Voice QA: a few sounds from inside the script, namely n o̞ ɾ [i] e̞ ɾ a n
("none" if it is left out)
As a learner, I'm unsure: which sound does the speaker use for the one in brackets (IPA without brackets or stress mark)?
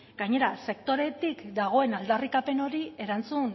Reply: i